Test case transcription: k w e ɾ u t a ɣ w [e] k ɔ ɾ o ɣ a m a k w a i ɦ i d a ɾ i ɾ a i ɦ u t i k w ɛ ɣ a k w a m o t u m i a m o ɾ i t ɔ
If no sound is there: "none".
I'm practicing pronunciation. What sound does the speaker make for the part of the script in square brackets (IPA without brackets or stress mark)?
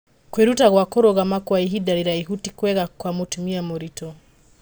a